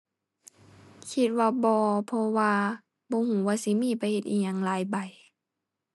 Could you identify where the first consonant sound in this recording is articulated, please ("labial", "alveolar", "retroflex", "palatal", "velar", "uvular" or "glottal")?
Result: velar